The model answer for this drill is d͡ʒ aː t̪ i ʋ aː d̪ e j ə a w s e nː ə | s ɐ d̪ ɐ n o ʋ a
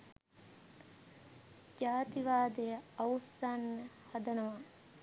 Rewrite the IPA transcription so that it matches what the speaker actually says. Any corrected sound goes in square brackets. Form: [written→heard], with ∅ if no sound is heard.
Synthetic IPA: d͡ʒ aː t̪ i ʋ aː d̪ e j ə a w s [e→a] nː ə | [s→h] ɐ d̪ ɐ n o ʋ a